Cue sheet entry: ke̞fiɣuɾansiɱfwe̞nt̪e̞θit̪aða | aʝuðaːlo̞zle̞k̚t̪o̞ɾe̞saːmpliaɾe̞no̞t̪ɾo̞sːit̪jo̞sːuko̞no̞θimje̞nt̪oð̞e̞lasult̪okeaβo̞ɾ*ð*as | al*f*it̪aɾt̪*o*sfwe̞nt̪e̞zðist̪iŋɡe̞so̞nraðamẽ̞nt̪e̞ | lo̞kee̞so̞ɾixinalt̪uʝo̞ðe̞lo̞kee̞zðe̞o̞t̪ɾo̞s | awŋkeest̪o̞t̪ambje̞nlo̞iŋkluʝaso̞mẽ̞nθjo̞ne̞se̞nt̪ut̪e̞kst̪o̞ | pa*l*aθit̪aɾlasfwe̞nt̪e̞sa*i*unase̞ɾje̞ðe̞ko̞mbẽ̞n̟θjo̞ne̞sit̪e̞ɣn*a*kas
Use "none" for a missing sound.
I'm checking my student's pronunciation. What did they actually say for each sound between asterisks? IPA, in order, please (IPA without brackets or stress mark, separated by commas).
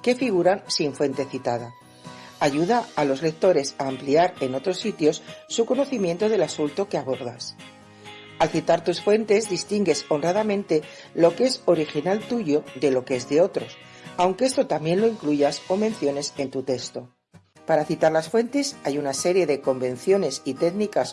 ð, θ, u, ɾ, j, i